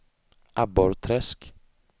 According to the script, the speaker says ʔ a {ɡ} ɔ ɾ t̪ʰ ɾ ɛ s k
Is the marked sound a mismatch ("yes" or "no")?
yes